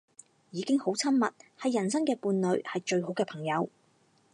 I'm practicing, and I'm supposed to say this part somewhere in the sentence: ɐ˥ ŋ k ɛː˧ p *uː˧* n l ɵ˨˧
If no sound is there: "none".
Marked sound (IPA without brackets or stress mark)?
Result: uː˧